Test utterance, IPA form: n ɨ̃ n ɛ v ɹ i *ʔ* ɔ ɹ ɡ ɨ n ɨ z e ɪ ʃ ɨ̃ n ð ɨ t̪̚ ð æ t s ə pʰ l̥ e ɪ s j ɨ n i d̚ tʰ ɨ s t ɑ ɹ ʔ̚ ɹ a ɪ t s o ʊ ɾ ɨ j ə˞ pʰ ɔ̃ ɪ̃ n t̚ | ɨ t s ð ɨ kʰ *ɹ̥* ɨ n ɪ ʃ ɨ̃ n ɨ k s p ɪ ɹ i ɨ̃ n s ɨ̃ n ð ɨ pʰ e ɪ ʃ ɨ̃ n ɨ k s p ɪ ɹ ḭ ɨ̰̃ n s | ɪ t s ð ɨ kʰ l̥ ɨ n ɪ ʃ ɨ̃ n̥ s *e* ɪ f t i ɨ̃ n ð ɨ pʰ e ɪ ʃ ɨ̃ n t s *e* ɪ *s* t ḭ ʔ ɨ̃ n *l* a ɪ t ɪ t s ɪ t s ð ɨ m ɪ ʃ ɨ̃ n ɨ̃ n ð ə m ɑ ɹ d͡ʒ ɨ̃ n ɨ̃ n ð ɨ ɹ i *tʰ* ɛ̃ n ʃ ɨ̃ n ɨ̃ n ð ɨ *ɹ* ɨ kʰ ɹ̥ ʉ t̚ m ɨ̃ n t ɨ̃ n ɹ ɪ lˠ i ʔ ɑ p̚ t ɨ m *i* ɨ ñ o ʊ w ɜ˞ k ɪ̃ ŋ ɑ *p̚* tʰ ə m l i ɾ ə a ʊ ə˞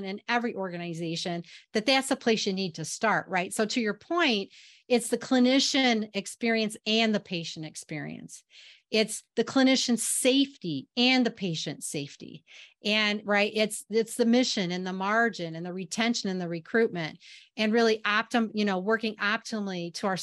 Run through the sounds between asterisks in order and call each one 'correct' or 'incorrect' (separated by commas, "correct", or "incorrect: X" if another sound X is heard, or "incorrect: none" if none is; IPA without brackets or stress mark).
correct, incorrect: l̥, correct, correct, incorrect: f, incorrect: ɹ, correct, correct, incorrect: j, correct